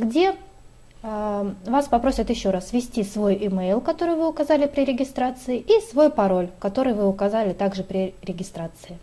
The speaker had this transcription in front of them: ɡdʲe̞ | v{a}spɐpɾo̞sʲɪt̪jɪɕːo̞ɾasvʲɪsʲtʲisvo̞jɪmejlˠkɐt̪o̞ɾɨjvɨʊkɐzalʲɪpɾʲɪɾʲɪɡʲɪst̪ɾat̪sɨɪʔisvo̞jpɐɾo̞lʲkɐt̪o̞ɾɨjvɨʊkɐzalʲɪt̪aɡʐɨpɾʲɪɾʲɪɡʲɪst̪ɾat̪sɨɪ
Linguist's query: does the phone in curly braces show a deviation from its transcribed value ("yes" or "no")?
no